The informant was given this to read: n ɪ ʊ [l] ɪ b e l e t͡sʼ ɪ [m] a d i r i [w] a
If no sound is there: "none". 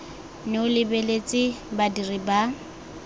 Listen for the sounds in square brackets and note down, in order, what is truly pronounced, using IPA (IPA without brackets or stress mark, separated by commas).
l, b, b